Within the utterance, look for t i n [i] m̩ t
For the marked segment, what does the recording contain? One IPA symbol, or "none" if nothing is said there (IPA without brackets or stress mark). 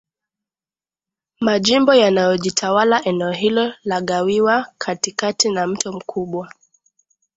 a